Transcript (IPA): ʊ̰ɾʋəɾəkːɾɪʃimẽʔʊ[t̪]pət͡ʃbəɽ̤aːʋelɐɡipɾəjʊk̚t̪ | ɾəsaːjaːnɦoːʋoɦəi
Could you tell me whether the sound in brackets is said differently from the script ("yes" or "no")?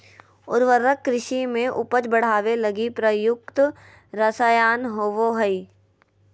yes